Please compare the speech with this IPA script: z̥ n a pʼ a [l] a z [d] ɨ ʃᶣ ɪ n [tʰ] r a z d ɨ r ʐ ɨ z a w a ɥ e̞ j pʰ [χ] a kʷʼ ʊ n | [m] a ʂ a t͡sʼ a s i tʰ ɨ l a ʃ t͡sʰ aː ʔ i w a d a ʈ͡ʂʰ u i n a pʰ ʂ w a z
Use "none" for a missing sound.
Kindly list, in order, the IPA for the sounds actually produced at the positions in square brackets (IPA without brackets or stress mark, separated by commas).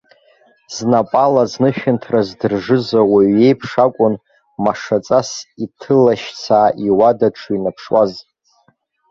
l, n, tʰ, ʂ, m